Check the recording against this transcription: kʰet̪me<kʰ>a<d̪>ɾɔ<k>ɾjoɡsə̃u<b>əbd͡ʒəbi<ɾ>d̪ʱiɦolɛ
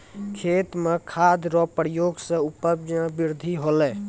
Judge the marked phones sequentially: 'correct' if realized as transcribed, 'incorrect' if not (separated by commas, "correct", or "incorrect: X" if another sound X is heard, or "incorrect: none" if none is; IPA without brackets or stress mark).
correct, correct, incorrect: p, incorrect: p, correct